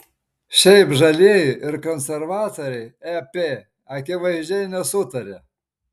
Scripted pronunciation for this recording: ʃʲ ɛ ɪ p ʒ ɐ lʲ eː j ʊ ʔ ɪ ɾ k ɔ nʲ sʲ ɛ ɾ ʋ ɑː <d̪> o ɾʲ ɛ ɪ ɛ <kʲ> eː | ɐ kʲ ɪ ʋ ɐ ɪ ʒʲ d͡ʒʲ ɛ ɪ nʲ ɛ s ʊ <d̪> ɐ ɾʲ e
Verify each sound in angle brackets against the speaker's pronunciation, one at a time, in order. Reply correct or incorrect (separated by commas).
incorrect, incorrect, incorrect